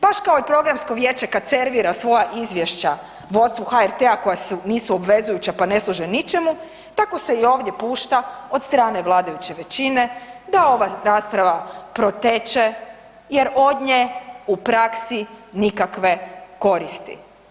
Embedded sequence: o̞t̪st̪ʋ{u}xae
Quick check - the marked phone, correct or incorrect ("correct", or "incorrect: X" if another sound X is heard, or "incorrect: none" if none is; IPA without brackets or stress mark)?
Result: correct